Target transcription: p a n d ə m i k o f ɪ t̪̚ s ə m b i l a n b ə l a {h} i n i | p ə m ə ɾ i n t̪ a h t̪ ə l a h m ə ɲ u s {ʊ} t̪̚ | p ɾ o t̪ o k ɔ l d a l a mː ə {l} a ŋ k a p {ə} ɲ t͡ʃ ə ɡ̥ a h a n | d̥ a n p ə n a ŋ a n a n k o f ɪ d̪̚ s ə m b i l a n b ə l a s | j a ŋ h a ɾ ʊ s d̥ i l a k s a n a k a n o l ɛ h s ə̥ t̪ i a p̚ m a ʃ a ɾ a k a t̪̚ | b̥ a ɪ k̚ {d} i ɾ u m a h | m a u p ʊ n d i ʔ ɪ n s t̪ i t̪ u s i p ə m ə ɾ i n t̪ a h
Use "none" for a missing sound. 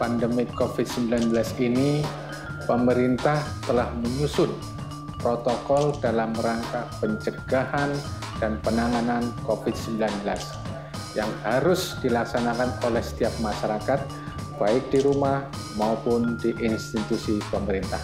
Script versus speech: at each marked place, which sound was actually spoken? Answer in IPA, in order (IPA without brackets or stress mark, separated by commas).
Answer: s, ʊ, ɾ, ə, d